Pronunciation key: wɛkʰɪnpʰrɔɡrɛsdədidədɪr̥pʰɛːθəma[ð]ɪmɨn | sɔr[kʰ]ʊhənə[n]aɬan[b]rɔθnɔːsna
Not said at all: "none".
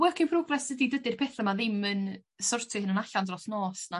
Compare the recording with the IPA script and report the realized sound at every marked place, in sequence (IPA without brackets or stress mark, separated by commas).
ð, tʰ, n, d